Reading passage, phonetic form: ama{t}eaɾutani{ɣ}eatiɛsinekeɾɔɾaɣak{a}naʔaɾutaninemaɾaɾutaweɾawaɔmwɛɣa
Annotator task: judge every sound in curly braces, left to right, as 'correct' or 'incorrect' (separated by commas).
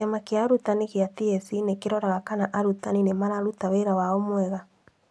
incorrect, correct, correct